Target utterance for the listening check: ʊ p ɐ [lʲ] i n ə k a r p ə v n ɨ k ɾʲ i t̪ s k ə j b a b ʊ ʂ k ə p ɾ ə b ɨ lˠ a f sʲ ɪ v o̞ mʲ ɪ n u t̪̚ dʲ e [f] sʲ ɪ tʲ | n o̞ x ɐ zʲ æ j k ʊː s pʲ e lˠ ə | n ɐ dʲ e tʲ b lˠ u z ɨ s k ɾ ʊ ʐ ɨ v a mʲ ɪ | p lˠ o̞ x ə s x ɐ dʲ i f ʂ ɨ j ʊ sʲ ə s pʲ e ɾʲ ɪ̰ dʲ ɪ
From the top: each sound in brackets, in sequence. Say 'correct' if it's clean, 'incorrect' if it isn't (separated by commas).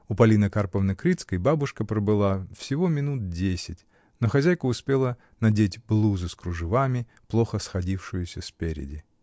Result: correct, incorrect